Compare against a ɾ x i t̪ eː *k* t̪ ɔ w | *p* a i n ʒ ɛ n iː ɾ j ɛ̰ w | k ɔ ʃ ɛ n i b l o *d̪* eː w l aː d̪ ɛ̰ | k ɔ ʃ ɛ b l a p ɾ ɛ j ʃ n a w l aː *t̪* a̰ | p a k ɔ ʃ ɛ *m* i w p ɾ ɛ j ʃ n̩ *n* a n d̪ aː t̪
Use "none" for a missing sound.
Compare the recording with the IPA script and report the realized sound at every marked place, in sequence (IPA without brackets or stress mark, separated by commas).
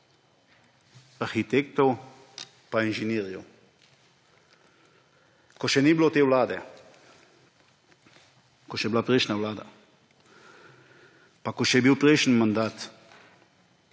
k, p, t̪, d̪, b, m